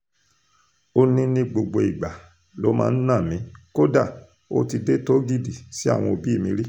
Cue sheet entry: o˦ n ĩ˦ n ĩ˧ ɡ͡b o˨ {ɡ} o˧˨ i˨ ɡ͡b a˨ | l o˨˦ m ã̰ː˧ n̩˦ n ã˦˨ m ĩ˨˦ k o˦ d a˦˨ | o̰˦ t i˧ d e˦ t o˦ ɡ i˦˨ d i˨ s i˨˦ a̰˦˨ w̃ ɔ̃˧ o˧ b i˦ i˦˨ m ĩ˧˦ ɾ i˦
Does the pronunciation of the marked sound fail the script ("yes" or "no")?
yes